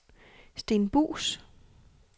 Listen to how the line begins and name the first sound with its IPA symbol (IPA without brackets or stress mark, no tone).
s